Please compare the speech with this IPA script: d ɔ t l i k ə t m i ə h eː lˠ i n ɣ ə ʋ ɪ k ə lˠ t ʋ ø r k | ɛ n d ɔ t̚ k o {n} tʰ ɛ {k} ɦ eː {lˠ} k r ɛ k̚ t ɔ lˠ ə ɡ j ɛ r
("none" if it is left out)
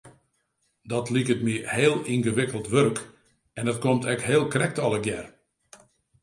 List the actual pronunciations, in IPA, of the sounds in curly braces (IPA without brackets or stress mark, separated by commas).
m, k, lˠ